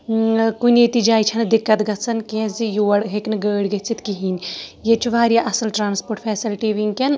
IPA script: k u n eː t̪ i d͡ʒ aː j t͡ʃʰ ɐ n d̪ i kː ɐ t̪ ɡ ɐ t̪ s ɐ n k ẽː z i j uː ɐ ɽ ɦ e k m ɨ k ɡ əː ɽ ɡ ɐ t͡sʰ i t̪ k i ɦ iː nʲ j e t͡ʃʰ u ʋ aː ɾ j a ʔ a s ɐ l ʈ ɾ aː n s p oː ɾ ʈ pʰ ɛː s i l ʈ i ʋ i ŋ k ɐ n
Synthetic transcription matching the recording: k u n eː t̪ i d͡ʒ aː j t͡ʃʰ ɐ n d̪ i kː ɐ t̪ ɡ ɐ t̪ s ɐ n k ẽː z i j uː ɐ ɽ ɦ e k n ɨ ɡ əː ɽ ɡ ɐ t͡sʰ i t̪ k i ɦ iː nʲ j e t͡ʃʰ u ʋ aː ɾ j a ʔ ɐ s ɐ l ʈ ɾ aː n s p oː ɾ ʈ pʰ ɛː s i l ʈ i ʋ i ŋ k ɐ n